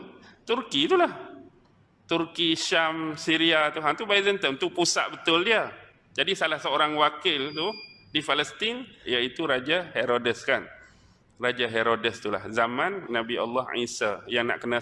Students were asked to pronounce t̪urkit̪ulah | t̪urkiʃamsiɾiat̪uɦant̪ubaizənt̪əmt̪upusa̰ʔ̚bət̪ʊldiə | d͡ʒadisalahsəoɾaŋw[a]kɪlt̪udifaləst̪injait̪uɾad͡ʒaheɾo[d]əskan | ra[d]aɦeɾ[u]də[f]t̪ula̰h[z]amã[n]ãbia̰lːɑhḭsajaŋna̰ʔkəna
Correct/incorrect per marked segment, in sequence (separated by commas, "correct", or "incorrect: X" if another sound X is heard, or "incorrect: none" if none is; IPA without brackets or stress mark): correct, correct, incorrect: d͡ʒ, incorrect: o, incorrect: s, correct, incorrect: nː